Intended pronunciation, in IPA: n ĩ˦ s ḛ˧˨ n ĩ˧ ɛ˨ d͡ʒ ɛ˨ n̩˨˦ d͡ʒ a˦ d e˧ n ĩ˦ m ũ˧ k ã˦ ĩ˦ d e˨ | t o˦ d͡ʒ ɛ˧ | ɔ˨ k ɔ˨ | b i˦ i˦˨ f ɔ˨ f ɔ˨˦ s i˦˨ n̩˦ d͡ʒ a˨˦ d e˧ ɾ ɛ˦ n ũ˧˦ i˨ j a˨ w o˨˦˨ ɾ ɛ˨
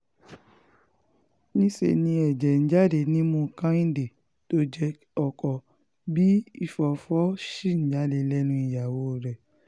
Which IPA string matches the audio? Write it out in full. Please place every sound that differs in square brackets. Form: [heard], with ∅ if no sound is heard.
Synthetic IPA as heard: n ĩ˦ s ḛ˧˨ n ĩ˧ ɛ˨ d͡ʒ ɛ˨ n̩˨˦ d͡ʒ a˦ d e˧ n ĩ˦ m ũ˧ k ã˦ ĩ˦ d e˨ | t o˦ d͡ʒ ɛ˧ | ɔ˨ k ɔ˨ | b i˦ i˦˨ f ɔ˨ f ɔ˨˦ [ʃ] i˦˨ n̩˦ d͡ʒ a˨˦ d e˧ [l] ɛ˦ n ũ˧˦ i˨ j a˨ w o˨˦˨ ɾ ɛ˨